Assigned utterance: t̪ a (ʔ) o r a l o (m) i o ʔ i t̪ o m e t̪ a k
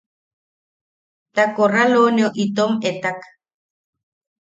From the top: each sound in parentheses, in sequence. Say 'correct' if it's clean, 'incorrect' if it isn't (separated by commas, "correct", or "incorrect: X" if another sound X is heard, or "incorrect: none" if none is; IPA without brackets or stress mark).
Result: incorrect: k, incorrect: n